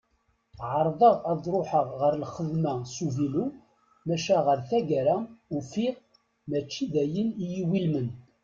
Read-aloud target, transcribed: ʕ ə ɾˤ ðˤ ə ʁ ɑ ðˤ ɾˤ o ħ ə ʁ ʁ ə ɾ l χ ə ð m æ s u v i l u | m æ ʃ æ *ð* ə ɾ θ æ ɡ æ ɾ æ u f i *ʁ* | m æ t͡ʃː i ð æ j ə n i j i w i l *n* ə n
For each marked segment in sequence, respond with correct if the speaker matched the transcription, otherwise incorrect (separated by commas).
incorrect, correct, incorrect